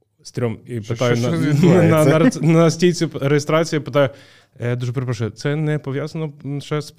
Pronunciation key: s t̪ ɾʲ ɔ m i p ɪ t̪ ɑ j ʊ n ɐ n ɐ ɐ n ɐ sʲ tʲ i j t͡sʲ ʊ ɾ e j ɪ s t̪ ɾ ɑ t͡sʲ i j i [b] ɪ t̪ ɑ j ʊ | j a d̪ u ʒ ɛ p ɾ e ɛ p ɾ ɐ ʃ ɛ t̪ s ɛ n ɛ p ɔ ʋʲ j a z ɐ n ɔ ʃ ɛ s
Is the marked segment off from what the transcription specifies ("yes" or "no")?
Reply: yes